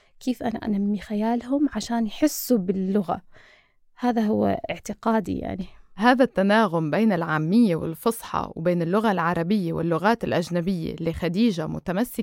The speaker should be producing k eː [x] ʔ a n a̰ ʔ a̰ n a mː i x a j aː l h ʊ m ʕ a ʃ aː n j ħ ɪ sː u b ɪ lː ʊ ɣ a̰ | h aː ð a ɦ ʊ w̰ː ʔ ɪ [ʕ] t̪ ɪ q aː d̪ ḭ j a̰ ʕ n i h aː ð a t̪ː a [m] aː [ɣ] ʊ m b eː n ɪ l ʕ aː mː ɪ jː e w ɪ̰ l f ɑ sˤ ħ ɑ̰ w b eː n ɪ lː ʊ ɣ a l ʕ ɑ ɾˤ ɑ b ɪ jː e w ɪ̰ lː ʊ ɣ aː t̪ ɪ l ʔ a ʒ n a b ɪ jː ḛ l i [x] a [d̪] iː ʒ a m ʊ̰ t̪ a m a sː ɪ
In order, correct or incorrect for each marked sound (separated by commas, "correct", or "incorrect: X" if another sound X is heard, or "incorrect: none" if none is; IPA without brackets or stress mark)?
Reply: incorrect: f, correct, incorrect: n, correct, correct, correct